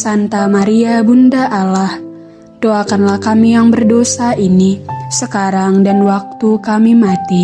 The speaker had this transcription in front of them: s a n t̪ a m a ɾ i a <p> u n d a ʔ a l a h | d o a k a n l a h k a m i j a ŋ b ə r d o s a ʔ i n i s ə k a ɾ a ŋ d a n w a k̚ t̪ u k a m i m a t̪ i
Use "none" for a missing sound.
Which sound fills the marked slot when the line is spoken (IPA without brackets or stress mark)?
b